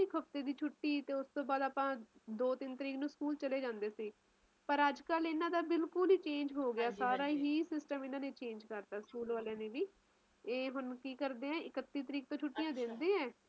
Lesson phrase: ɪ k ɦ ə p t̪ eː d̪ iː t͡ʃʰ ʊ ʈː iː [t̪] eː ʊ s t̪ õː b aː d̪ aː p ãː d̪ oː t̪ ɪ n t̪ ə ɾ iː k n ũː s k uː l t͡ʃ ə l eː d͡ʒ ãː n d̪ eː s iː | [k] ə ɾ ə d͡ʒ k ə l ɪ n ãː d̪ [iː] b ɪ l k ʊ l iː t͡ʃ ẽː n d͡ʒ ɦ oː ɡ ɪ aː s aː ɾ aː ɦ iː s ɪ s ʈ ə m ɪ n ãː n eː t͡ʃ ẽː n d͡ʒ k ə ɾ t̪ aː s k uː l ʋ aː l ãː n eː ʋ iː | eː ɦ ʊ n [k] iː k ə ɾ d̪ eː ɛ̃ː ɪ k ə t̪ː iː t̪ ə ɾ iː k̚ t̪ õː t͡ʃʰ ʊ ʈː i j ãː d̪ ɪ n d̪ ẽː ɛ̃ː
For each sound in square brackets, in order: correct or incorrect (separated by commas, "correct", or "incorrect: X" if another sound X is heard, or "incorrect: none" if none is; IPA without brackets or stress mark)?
correct, incorrect: p, incorrect: aː, correct